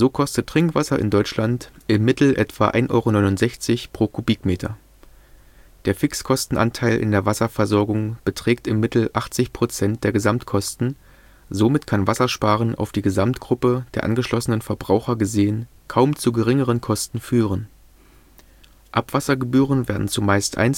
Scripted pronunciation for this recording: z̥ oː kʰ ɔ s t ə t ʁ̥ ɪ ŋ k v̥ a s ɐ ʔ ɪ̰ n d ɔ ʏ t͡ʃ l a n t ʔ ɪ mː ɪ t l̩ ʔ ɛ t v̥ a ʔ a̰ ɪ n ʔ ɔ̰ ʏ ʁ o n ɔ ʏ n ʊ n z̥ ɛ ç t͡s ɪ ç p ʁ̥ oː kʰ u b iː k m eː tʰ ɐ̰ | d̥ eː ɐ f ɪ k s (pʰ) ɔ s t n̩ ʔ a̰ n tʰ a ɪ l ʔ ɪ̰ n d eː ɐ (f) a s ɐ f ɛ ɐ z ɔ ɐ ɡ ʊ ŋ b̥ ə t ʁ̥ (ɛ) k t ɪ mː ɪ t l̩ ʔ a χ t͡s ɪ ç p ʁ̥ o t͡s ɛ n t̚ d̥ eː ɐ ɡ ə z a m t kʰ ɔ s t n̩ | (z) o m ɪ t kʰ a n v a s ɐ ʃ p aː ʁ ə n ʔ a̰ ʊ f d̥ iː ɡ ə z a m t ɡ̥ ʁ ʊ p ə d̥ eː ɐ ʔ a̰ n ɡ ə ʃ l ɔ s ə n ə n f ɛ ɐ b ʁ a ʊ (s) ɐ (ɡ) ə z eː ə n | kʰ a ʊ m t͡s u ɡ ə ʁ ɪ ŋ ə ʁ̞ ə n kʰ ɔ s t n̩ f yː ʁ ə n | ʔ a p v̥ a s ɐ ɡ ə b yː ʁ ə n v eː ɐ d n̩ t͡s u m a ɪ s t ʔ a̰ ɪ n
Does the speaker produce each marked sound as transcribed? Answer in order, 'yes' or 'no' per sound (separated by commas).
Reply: no, no, no, yes, no, yes